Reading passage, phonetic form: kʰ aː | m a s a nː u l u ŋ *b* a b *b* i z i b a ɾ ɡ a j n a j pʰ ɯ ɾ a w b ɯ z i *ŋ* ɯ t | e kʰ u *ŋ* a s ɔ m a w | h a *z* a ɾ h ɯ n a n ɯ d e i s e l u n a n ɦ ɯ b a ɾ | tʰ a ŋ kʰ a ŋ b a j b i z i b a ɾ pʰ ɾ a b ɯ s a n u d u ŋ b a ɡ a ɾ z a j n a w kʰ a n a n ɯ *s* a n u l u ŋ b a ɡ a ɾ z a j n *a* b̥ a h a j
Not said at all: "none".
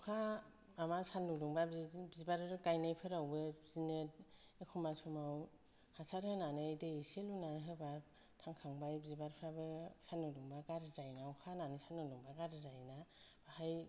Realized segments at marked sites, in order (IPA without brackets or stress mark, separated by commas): b, b, n, m, s, s, a